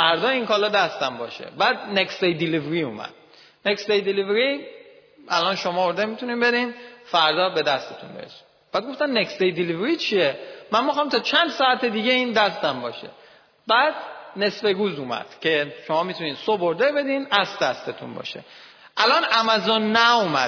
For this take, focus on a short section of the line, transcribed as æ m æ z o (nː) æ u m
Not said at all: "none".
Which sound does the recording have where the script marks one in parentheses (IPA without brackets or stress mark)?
nː